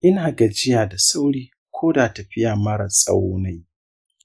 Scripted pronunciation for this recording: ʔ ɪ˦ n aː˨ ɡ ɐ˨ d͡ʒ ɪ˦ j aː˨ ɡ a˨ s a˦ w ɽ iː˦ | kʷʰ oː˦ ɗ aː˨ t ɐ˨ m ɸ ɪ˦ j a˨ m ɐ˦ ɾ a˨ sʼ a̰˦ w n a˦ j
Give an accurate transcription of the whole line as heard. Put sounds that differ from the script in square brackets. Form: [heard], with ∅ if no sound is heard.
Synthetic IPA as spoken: ʔ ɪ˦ n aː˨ ɡ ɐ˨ d͡ʒ ɪ˦ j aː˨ [d] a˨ s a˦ w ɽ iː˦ | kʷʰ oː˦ [d] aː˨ t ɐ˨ [∅] ɸ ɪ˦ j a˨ m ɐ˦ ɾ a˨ sʼ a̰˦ w n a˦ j